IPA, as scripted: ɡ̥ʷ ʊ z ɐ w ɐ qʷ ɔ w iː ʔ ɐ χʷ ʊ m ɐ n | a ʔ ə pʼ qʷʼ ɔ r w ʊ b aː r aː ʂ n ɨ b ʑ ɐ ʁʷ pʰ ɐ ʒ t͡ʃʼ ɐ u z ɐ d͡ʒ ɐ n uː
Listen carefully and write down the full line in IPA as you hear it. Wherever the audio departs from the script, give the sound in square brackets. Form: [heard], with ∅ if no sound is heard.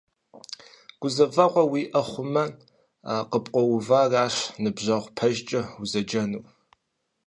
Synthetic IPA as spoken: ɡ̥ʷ ʊ z ɐ [v] ɐ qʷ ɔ w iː ʔ ɐ χʷ ʊ m ɐ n | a [q] ə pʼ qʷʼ ɔ [∅] w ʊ [v] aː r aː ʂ n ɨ b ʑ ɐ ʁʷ pʰ ɐ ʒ t͡ʃʼ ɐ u z ɐ d͡ʒ ɐ n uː